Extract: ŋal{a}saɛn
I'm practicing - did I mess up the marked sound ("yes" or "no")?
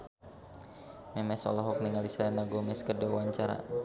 yes